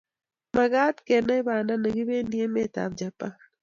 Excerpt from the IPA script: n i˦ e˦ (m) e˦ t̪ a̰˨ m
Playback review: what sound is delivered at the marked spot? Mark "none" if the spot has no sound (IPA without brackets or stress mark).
m